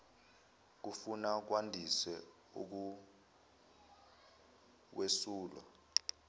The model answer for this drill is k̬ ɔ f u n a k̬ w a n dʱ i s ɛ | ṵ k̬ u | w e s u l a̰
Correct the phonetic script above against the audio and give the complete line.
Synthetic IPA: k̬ u f u n a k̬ w a n dʱ i s ɛ | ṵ k̬ u | w e s uː l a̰